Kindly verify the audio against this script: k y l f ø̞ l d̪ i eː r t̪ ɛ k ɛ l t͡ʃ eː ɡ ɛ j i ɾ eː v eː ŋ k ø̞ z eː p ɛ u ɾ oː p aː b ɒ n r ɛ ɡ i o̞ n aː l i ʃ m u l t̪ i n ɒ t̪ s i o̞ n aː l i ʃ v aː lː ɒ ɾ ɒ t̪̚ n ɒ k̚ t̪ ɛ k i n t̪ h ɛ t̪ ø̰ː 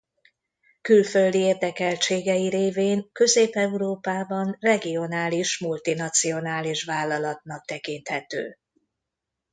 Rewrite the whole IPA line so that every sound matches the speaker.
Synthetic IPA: k y l f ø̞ l d̪ i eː r d̪ ɛ k ɛ l t͡ʃ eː ɡ ɛ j i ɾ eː v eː ŋ k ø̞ z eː p ɛ u ɾ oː p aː b ɒ n r ɛ ɡ i o̞ n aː l i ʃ m u l t̪ i n ɒ t̪ s i o̞ n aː l i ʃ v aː lː ɒ l ɒ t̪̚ n ɒ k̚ t̪ ɛ k i n t̪ h ɛ t̪ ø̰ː

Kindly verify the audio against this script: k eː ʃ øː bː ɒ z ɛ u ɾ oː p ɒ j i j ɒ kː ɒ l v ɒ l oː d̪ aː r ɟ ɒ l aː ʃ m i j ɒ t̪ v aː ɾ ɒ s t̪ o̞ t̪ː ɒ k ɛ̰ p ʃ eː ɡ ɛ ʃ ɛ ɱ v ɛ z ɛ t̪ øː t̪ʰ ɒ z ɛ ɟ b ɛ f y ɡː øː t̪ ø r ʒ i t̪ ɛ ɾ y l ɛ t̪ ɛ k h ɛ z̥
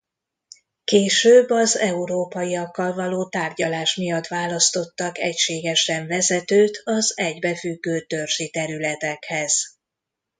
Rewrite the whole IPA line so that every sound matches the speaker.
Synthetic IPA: k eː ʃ øː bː ɒ z ɛ u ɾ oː p ɒ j i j ɒ kː ɒ l v ɒ l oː t̪ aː r ɟ ɒ l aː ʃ m i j ɒ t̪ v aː l ɒ s t̪ o̞ t̪ː ɒ k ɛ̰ c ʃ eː ɡ ɛ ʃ ɛ ɱ v ɛ z ɛ t̪ øː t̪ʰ ɒ z ɛ ɟ b ɛ f y ɡː øː t̪ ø r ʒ i t̪ ɛ ɾ y l ɛ t̪ ɛ k h ɛ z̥

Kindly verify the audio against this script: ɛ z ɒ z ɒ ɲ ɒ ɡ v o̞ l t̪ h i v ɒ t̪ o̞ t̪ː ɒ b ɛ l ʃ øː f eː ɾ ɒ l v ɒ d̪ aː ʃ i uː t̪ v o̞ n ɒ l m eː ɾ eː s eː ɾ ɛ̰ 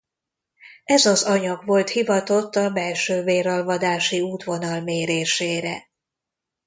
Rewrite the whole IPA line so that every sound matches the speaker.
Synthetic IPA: ɛ z ɒ z ɒ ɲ ɒ ɡ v o̞ l t̪ h i v ɒ t̪ o̞ t̪ː ɒ b ɛ l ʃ øː v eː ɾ ɒ l v ɒ d̪ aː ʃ i uː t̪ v o̞ n ɒ l m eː ɾ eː ʃ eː ɾ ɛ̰

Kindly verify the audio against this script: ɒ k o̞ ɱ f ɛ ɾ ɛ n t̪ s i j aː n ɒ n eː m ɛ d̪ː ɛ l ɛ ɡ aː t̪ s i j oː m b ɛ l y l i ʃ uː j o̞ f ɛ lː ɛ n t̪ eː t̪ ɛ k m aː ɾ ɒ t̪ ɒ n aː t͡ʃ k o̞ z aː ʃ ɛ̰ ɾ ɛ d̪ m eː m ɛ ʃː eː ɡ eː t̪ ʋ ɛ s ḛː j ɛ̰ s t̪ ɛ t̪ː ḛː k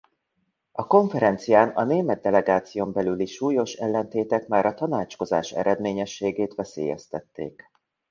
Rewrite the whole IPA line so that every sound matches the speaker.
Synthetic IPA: ɒ k o̞ ɱ f ɛ ɾ ɛ n t̪ s i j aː n ɒ n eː m ɛ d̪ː ɛ l ɛ ɡ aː t̪ s i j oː m b ɛ l y l i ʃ uː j o̞ ʃ ɛ lː ɛ n t̪ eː t̪ ɛ k m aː ɾ ɒ t̪ ɒ n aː t͡ʃ k o̞ z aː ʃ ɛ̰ ɾ ɛ d̪ m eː ɲ ɛ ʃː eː ɡ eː t̪ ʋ ɛ s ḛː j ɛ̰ s t̪ ɛ t̪ː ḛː k

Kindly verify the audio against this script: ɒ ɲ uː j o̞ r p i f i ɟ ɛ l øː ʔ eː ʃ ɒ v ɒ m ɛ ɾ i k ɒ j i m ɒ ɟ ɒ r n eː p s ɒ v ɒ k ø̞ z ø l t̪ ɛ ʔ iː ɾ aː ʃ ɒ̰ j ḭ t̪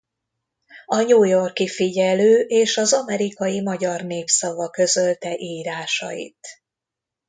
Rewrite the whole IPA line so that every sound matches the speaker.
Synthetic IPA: ɒ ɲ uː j o̞ r k i f i ɟ ɛ l øː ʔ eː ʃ ɒ z ɒ m ɛ ɾ i k ɒ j i m ɒ ɟ ɒ r n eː p s ɒ v ɒ k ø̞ z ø l t̪ ɛ ʔ iː ɾ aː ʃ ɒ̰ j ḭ t̪

